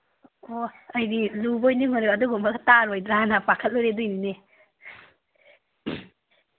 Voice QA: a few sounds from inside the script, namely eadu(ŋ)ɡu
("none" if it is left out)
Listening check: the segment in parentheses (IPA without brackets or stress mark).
none